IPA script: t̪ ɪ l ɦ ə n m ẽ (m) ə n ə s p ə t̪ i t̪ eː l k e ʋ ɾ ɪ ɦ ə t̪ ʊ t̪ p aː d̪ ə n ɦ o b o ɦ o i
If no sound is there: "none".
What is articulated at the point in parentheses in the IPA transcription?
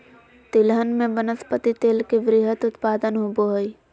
b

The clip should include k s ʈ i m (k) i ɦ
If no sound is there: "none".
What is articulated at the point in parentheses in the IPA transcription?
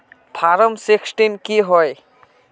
k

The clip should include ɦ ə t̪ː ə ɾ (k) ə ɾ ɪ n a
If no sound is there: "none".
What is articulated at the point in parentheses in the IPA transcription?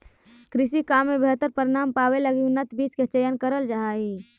p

